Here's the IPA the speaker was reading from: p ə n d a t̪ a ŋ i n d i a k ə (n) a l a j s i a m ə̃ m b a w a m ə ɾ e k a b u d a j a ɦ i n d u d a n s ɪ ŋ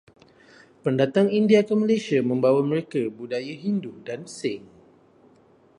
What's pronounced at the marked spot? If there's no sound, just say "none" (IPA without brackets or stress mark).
m